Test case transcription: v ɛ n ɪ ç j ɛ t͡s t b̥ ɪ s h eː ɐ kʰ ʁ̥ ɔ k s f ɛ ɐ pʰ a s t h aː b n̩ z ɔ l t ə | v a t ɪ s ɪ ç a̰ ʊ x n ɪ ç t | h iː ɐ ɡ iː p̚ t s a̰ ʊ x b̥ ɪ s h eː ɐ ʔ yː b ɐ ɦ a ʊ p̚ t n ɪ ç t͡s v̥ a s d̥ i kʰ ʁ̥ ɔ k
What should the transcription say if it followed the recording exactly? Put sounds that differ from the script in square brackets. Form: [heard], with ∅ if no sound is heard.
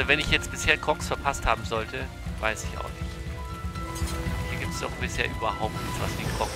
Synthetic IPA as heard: v ɛ n ɪ ç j ɛ t͡s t b̥ ɪ s h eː ɐ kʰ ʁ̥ ɔ k s f ɛ ɐ pʰ a s t h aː b [m̩] z ɔ l t ə | v a [∅] ɪ s ɪ ç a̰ ʊ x n ɪ ç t | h iː ɐ ɡ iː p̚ t s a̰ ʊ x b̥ ɪ s h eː ɐ ʔ yː b ɐ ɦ a ʊ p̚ t n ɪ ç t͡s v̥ a s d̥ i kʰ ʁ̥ ɔ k